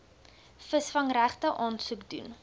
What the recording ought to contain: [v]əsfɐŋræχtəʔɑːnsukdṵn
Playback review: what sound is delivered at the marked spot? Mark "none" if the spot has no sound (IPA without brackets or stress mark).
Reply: f